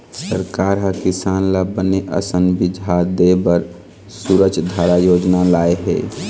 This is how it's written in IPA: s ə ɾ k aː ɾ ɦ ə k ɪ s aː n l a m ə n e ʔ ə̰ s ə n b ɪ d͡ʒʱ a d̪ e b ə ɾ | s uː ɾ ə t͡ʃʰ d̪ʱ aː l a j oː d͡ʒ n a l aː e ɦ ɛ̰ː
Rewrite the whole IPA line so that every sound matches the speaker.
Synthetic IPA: s ə ɾ k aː ɾ ɦ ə k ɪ s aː n l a b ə n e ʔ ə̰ s ə n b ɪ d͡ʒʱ a d̪ e b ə ɾ | s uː ɾ ə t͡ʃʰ d̪ʱ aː ɾ a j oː d͡ʒ n a l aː e ɦ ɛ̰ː